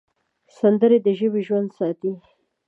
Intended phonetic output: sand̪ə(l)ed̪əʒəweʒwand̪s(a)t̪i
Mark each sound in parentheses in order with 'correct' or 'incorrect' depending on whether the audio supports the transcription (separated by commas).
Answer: incorrect, incorrect